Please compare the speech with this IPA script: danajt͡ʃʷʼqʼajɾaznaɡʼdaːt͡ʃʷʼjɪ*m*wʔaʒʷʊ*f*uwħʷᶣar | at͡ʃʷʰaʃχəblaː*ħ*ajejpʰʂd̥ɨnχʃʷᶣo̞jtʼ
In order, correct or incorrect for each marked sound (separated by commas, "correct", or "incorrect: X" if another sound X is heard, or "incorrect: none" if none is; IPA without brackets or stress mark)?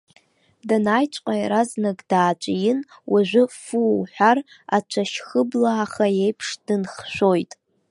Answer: incorrect: n, correct, incorrect: χ